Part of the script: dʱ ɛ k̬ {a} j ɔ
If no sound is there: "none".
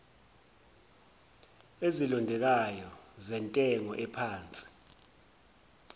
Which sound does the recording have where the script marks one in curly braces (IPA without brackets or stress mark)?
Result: a